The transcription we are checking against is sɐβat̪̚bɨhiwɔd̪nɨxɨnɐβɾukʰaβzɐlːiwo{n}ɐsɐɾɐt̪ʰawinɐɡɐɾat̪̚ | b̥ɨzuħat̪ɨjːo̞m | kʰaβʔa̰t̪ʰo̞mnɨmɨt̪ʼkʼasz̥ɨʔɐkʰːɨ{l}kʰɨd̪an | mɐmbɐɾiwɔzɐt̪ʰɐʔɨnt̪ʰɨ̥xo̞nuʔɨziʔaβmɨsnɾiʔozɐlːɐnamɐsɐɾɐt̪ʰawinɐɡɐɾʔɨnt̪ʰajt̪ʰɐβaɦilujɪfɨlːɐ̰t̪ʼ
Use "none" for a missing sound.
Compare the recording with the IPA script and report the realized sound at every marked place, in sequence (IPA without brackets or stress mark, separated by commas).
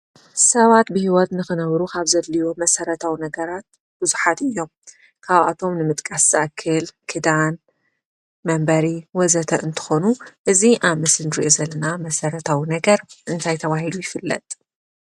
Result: m, l